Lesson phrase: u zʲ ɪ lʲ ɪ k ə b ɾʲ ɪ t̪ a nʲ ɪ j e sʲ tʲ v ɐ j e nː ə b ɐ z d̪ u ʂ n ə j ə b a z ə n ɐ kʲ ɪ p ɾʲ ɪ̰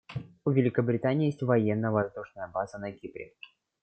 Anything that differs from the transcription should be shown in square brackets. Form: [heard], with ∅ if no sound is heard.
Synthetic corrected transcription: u [vʲ] ɪ lʲ ɪ k ə b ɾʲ ɪ t̪ a nʲ ɪ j e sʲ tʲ v ɐ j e nː ə [v] ɐ z d̪ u ʂ n ə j ə b a z ə n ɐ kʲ [i] p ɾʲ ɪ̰